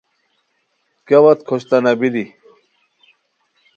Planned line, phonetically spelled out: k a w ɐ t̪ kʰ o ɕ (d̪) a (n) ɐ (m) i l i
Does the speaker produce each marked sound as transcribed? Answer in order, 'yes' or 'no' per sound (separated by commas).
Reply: no, yes, no